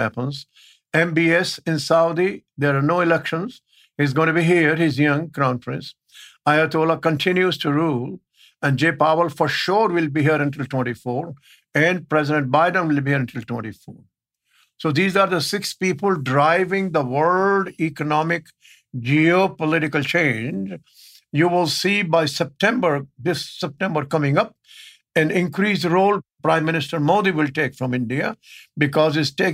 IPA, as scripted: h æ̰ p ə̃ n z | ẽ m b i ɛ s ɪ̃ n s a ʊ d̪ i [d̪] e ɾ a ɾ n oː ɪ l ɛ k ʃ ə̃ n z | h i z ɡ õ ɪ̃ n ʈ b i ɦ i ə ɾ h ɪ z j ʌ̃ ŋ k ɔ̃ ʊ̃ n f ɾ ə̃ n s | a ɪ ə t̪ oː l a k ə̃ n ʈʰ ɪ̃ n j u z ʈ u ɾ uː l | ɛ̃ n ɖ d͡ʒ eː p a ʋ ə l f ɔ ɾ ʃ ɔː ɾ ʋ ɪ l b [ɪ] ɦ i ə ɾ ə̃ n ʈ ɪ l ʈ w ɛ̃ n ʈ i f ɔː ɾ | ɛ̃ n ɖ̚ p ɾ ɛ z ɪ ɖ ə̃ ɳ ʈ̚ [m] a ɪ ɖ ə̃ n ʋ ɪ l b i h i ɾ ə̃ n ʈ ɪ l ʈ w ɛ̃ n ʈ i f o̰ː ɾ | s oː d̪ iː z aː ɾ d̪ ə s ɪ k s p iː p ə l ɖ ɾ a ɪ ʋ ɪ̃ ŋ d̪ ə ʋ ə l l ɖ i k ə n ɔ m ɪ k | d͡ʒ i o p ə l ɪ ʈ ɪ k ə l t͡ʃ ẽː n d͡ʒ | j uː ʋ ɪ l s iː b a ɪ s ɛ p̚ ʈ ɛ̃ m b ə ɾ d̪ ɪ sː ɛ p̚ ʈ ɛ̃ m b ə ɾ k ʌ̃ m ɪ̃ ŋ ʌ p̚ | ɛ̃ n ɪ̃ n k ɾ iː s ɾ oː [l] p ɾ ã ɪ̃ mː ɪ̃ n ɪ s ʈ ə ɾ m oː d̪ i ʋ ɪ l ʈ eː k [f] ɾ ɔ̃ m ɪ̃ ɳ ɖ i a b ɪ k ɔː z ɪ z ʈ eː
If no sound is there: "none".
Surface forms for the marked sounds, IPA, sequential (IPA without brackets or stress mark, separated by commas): d̪, i, b, l, f